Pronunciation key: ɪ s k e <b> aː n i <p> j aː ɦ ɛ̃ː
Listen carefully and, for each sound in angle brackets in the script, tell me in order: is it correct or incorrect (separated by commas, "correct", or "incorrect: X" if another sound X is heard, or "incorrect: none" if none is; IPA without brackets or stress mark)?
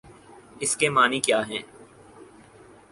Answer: incorrect: m, incorrect: k